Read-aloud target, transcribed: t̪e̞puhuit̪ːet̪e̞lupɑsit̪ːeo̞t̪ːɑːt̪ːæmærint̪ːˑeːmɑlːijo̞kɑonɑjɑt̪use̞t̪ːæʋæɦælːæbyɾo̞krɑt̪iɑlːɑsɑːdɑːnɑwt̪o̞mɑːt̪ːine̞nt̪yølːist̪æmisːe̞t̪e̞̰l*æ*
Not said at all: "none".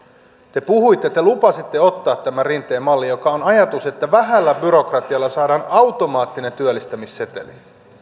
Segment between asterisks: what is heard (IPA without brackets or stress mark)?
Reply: i